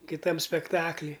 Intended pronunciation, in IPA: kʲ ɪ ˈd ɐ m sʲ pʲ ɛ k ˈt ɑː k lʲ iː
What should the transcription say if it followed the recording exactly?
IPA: kʲ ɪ ˈt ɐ m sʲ pʲ ɛ k ˈt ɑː k lʲ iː